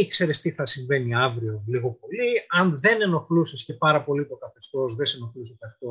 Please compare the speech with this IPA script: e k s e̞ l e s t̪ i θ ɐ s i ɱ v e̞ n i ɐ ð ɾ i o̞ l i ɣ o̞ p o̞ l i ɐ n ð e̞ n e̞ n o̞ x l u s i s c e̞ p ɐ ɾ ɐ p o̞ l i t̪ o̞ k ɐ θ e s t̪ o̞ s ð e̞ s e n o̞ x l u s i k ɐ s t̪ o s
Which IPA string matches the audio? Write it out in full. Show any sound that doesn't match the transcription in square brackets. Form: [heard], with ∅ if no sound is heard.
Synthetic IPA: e k s e̞ [ɾ] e s t̪ i θ ɐ s i ɱ v e̞ n i ɐ [v] ɾ i o̞ l i ɣ o̞ p o̞ l i ɐ n ð e̞ n e̞ n o̞ x l u s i s c e̞ p ɐ ɾ ɐ p o̞ l i t̪ o̞ k ɐ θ e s t̪ o̞ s ð e̞ s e n o̞ x l u s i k ɐ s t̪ o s